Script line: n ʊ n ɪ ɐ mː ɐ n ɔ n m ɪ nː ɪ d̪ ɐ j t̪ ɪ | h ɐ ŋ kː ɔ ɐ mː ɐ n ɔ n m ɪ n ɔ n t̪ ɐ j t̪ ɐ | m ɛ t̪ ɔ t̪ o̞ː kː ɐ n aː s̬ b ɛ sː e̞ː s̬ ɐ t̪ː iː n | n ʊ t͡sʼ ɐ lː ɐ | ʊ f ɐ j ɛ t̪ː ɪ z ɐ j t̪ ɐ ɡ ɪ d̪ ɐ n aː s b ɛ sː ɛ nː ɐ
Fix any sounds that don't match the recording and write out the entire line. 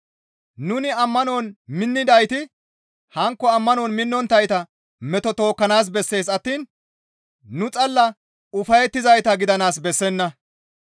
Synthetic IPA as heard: n ʊ n ɪ ɐ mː ɐ n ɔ n m ɪ nː ɪ d̪ ɐ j t̪ ɪ | h ɐ ŋ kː ɔ ɐ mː ɐ n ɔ n m ɪ nː ɔ n t̪ ɐ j t̪ ɐ | m ɛ t̪ ɔ t̪ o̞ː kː ɐ n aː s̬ b ɛ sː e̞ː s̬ ɐ t̪ː iː n | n ʊ t͡sʼ ɐ lː ɐ | ʊ f ɐ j ɛ t̪ː ɪ z ɐ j t̪ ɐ ɡ ɪ d̪ ɐ n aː s b ɛ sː ɛ nː ɐ